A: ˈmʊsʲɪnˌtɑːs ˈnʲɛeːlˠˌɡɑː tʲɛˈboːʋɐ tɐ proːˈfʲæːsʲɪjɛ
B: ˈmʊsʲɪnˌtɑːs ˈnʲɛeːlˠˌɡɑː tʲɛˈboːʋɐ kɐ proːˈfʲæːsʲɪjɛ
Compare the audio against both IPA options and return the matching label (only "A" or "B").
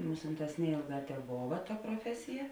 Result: A